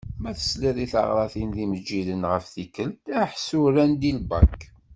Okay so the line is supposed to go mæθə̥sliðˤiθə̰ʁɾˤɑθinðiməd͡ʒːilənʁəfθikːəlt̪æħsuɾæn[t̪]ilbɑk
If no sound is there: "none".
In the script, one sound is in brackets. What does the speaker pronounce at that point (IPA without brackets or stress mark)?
d̪